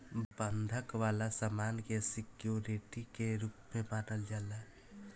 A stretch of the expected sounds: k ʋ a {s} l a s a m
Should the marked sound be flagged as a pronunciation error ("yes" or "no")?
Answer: yes